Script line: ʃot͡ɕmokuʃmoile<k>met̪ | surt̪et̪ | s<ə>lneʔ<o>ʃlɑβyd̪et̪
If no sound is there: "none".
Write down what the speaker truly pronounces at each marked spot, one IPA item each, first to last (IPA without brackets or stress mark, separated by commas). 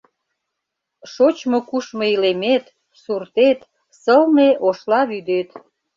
none, ə, o